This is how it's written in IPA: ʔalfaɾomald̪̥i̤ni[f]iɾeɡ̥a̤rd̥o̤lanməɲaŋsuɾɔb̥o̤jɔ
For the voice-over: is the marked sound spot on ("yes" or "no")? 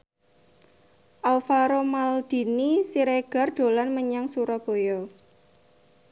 no